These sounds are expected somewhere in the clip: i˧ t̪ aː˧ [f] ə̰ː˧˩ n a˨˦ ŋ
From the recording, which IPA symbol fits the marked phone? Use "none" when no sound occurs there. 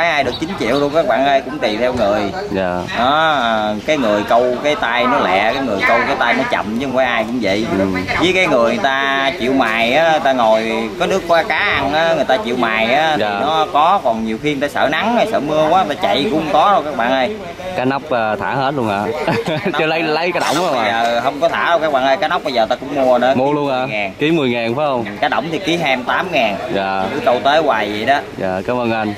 s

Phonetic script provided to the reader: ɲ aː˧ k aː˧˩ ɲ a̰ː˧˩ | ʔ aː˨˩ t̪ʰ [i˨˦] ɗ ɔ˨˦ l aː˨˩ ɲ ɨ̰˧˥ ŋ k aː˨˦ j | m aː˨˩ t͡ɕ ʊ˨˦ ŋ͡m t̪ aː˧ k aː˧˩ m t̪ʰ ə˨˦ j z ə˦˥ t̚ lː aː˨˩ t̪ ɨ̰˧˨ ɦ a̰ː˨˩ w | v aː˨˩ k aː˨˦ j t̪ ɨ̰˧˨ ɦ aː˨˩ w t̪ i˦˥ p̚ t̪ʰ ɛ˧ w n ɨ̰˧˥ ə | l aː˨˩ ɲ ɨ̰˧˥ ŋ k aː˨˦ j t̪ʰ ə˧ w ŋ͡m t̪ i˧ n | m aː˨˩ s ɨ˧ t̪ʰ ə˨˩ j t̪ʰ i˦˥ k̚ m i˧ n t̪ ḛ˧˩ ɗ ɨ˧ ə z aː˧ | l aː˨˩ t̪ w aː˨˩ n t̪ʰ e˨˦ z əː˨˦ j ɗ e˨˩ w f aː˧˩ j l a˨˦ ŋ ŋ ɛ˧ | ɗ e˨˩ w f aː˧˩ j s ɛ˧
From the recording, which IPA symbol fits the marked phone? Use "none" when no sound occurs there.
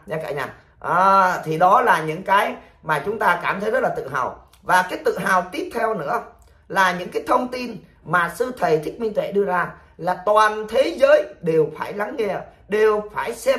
i˨˩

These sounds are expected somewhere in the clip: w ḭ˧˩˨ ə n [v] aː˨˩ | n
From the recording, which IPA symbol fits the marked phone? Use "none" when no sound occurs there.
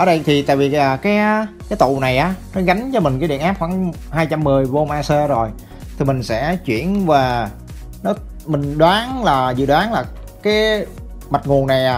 v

